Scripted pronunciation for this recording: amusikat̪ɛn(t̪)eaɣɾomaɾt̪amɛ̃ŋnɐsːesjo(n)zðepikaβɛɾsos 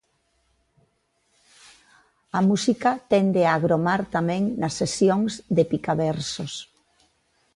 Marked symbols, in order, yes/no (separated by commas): no, no